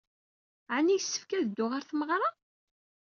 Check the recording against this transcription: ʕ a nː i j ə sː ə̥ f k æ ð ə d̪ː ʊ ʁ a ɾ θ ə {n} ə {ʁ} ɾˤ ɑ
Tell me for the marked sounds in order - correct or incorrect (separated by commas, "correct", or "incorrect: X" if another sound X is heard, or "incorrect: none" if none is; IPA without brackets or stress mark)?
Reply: incorrect: m, correct